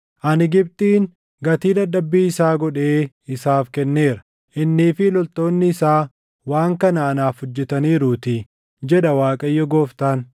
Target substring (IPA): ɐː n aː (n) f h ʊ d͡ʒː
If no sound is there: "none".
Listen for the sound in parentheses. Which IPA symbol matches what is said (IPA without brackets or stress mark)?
none